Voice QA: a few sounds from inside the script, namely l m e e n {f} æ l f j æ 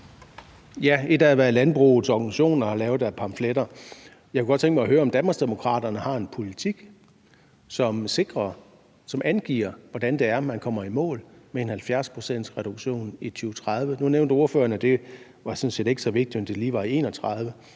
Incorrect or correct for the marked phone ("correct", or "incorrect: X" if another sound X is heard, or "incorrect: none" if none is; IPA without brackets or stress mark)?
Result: incorrect: h